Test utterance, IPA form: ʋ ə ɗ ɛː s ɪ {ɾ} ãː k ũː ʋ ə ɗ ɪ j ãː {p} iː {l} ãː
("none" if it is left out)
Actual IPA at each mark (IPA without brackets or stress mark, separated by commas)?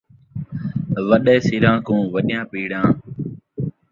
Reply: ɾ, p, ɽ